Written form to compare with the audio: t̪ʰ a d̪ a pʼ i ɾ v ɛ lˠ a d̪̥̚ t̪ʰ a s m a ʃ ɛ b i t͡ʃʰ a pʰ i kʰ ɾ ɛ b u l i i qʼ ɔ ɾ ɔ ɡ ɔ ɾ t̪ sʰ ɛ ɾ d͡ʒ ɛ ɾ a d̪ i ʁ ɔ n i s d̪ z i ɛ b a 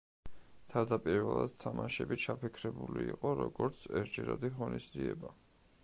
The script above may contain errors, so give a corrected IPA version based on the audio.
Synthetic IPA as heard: t̪ʰ a d̪ a pʼ i ɾ v ɛ lˠ a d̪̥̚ t̪ʰ a m a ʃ ɛ b i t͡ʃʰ a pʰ i kʰ ɾ ɛ b u l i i qʼ ɔ ɾ ɔ ɡ ɔ ɾ t̪ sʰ ɛ ɾ d͡ʒ ɛ ɾ a d̪ i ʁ ɔ n i s d̪ z i ɛ b a